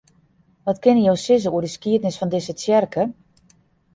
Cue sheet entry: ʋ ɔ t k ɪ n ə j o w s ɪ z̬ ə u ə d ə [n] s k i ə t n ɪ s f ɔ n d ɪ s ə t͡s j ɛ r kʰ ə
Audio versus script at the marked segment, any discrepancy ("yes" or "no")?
yes